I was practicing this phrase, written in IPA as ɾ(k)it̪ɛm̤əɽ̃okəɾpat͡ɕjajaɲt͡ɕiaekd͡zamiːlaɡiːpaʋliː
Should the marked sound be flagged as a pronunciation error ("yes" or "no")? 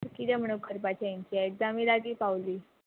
no